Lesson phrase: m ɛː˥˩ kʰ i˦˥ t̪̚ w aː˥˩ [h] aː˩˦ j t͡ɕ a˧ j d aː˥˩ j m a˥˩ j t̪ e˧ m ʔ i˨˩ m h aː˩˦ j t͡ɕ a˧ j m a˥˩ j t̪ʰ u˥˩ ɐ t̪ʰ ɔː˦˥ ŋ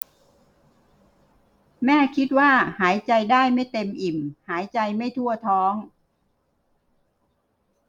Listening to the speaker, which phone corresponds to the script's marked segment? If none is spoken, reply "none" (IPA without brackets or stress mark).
h